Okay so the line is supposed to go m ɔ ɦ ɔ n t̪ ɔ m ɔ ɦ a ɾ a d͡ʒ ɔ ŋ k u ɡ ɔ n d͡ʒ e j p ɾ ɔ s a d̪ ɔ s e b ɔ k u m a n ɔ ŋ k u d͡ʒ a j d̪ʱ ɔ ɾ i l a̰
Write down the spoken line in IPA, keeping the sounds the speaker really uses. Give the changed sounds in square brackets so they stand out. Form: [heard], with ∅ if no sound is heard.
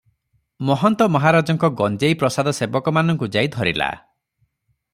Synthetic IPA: m ɔ ɦ ɔ n t̪ ɔ m ɔ ɦ a ɾ a d͡ʒ ɔ ŋ k [ɔ] ɡ ɔ n d͡ʒ e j p ɾ ɔ s a d̪ ɔ s e b ɔ k [ɔ] m a n ɔ ŋ k u d͡ʒ a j d̪ʱ ɔ ɾ i l a̰